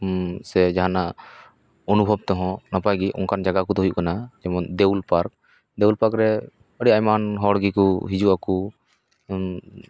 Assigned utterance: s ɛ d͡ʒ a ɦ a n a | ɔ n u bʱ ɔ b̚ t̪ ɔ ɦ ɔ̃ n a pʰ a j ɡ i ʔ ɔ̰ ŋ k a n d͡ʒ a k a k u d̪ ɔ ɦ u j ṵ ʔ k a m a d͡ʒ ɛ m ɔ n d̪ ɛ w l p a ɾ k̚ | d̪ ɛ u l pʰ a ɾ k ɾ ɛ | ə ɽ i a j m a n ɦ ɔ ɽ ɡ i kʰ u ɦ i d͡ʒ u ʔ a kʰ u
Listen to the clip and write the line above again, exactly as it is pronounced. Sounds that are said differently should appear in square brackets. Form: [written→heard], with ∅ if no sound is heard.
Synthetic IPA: s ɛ d͡ʒ a ɦ a n a | ɔ n u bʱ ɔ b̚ t̪ ɔ ɦ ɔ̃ n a [pʰ→p] a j ɡ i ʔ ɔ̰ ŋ k a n d͡ʒ a [k→ɡ] a k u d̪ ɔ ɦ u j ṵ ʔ k a [m→n] a d͡ʒ ɛ m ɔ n d̪ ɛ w l p a ɾ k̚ | d̪ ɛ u l [pʰ→p] a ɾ k ɾ ɛ | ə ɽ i a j m a n ɦ ɔ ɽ ɡ i [kʰ→k] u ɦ i d͡ʒ u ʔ a [kʰ→k] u